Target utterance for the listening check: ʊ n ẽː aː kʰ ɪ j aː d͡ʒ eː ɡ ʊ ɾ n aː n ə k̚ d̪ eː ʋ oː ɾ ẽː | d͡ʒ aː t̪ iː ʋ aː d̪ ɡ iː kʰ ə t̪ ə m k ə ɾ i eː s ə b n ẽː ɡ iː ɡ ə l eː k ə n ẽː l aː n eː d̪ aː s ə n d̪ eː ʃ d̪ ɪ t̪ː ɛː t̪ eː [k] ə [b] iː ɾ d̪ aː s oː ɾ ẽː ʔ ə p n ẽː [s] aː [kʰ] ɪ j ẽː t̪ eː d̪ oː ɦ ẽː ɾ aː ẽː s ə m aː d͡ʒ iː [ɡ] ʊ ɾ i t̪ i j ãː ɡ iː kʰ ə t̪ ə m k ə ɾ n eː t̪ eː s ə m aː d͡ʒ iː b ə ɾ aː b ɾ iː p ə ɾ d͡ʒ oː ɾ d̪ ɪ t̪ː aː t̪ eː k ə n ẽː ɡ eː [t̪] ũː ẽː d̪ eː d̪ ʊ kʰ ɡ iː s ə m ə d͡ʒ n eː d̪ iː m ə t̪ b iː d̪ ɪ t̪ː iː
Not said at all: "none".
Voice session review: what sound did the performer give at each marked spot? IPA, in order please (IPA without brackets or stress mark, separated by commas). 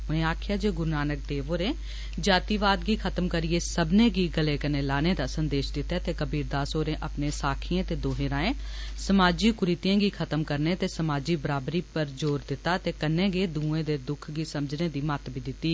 k, b, s, kʰ, k, d̪